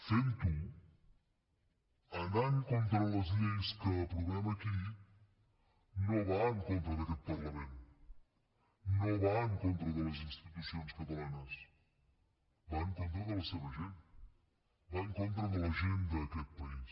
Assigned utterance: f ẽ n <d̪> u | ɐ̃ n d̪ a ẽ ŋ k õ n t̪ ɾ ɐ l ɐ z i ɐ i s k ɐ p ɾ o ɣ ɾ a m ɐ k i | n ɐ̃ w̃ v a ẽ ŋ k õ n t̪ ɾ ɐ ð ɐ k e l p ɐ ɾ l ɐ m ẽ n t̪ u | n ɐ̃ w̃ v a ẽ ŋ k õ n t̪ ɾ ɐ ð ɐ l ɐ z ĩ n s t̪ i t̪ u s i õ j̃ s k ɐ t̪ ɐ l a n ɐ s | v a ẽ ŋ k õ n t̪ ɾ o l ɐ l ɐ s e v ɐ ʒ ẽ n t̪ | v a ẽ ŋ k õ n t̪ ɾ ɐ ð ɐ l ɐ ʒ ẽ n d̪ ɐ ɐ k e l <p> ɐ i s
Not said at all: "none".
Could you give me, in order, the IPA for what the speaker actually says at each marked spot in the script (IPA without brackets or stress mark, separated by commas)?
t̪, p